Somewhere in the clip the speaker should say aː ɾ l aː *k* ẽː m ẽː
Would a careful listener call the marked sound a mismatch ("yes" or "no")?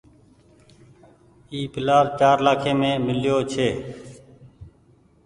yes